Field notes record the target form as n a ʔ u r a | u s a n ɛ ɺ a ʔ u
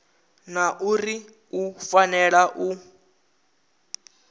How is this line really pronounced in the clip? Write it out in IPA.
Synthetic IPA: n a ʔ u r i | u f a n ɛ ɺ a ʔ u

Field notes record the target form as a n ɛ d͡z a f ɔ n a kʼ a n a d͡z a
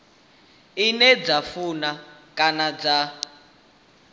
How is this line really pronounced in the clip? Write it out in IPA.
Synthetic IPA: i n ɛ d͡z a f u n a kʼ a n a d͡z a

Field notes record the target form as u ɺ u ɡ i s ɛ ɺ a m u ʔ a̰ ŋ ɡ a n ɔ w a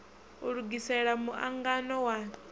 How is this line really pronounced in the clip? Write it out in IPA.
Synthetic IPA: u ɺ u ɡ i s ɛ ɺ a m u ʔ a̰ ŋ ɡ a n ɔ w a

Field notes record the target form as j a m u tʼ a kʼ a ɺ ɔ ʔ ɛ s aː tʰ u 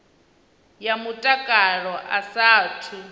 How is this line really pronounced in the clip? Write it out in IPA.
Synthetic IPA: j a m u tʼ a kʼ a ɺ ɔ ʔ a s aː tʰ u

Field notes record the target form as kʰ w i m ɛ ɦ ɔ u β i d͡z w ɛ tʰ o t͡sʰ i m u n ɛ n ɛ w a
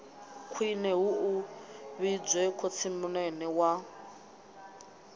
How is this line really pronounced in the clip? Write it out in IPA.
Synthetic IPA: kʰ w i n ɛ ɦ u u β i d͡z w ɛ kʰ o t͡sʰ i m u n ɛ n ɛ w a

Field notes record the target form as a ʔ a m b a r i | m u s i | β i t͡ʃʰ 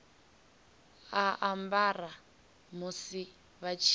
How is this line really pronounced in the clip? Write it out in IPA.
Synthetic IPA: a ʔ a m b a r a | m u s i | β a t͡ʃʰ

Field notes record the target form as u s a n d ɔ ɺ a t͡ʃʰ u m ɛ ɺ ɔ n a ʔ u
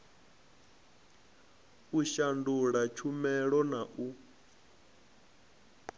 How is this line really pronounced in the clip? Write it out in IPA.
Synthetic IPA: u ʃ a n d u ɺ a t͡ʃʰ u m ɛ ɺ ɔ n a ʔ u

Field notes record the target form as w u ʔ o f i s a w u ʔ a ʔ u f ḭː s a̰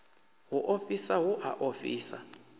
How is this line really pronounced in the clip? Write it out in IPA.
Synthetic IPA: w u ʔ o f i s a w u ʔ a ʔ o f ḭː s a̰

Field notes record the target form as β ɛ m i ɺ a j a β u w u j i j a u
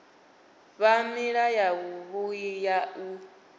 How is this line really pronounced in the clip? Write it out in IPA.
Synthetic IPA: β a m i ɺ a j a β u β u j i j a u

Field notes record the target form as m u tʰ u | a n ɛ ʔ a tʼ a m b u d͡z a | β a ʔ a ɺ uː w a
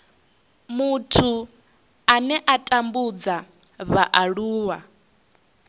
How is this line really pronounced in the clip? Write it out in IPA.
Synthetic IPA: m u tʰ u | a n ɛ ʔ a tʼ a m b u d͡z a | β a ʔ a ɺ uː w a

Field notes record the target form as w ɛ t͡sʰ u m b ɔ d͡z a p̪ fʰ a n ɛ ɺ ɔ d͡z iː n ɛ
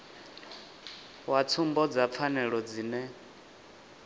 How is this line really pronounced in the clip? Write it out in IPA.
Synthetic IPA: w a t͡sʰ u m b ɔ d͡z a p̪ fʰ a n ɛ ɺ ɔ d͡z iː n ɛ

